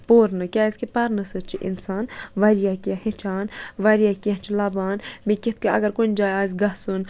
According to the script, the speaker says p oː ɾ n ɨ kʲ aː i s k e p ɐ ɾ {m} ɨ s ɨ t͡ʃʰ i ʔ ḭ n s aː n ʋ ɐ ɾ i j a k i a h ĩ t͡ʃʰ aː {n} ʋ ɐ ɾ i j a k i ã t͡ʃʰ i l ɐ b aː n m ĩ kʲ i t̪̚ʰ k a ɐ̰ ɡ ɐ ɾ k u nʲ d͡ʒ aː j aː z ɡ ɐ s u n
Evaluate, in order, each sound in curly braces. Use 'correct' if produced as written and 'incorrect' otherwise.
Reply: incorrect, correct

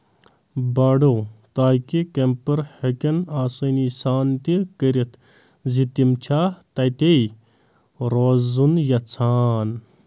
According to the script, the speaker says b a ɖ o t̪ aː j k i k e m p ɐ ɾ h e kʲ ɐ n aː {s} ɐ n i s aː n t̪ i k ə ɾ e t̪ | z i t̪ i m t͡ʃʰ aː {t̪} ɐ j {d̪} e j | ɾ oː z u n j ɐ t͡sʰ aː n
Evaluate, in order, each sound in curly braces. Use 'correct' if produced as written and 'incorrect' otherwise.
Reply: correct, correct, incorrect

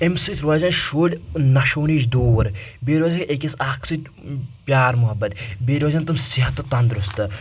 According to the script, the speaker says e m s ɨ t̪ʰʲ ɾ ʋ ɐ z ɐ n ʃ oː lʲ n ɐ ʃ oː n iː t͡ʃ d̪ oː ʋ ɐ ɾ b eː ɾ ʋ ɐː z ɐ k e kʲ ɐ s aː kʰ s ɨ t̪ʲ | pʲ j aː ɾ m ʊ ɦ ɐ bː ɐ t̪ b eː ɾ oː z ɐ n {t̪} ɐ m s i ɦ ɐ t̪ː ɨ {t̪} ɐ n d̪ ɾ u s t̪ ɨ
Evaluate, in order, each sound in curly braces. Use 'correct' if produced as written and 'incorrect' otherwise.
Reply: correct, correct

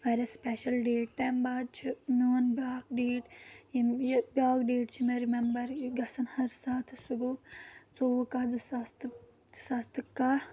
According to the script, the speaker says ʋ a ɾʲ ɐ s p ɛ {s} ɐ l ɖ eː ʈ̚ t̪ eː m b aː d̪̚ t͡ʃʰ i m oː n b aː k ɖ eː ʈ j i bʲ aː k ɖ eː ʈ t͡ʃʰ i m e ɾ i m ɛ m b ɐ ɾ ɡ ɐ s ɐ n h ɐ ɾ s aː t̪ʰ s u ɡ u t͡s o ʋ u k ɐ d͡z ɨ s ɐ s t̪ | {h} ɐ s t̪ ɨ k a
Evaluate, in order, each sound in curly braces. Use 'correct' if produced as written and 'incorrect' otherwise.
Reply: incorrect, incorrect

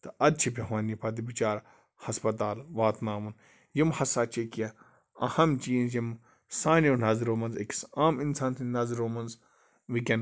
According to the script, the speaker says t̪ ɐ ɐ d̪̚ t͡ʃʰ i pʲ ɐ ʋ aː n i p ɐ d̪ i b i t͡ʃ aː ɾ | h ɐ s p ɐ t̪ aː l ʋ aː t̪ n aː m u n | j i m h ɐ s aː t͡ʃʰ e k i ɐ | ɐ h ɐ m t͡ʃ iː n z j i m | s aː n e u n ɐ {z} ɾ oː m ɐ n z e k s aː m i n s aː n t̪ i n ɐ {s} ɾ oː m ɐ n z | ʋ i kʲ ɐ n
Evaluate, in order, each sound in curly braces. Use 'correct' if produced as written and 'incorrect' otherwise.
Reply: correct, incorrect

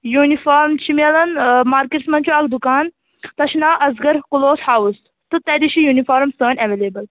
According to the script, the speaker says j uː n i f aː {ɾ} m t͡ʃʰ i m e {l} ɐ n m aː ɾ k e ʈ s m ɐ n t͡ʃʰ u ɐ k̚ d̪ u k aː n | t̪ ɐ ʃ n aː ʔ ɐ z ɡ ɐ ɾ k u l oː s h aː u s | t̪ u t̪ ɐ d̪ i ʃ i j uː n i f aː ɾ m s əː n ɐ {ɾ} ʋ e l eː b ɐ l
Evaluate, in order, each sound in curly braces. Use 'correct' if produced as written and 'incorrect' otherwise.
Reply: correct, correct, incorrect

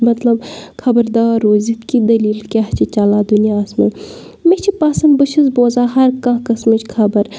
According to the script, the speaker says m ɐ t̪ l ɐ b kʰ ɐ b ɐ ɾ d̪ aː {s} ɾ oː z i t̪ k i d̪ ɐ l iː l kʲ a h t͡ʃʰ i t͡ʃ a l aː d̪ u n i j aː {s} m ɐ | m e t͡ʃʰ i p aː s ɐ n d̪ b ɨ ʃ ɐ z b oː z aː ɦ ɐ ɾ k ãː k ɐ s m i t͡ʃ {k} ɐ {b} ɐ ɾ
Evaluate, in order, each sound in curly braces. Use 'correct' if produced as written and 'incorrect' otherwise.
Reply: incorrect, correct, incorrect, correct

